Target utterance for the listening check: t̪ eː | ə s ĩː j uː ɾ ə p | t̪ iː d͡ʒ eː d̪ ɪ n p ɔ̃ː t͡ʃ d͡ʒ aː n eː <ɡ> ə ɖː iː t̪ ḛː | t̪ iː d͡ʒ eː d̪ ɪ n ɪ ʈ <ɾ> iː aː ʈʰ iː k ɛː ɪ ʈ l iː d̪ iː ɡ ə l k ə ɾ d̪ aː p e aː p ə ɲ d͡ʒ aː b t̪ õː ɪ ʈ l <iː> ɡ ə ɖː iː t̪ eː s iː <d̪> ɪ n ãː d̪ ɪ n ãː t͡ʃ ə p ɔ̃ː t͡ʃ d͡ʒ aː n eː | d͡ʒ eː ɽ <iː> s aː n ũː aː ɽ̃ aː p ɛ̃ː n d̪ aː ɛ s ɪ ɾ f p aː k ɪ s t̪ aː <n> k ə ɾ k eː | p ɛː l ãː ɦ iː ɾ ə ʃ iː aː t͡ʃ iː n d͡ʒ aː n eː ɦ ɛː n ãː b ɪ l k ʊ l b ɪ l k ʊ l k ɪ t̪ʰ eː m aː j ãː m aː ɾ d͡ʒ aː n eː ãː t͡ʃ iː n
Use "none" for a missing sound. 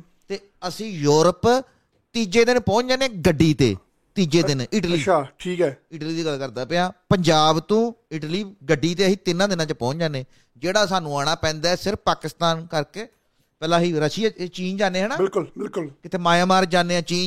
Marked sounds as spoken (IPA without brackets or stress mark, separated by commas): ɡ, l, iː, t̪, aː, n